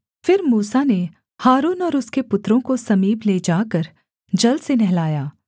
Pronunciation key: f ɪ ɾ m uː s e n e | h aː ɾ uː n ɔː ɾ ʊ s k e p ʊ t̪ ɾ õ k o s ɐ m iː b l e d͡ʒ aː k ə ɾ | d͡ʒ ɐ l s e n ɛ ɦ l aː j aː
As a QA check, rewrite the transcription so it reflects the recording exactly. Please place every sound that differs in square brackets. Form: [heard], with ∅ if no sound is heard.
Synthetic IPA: f ɪ ɾ m uː s [a] n e | h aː ɾ uː n ɔː ɾ ʊ s k e p ʊ t̪ ɾ õ k o s ɐ m iː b l e d͡ʒ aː k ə ɾ | d͡ʒ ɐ l s e n ɛ ɦ l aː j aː